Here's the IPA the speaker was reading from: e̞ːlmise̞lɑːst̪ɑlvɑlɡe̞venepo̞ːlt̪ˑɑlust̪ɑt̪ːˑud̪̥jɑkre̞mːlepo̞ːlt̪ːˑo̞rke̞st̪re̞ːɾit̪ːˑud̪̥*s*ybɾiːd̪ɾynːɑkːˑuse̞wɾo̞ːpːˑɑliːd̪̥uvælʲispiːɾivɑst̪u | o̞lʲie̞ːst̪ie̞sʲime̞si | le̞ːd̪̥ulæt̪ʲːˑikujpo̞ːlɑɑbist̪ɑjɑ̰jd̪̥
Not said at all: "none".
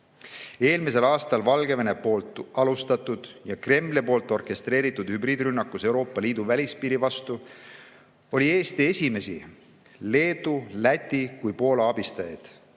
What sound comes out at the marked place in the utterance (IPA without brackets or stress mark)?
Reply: h